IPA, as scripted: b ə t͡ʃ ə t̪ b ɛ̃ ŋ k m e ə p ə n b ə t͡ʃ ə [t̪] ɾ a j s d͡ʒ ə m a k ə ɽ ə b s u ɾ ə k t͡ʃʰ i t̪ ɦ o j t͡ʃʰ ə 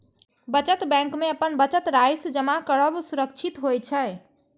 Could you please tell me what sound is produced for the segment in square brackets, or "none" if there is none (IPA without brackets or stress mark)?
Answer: t̪